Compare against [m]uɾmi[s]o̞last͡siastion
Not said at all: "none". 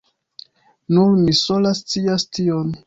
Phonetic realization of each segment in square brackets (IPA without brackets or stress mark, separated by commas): n, s